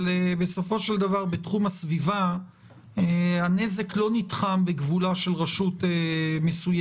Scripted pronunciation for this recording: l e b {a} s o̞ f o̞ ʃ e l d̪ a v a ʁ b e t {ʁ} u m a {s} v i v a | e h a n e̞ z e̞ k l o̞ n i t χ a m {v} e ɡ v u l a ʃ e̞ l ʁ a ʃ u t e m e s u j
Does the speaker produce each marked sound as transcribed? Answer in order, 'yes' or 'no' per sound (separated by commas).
no, no, yes, no